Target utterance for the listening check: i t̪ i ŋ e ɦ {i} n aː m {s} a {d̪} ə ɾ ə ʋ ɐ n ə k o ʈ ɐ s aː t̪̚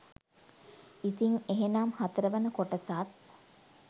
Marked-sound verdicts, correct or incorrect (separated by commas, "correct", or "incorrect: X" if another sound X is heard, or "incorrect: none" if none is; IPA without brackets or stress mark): incorrect: e, incorrect: h, incorrect: t̪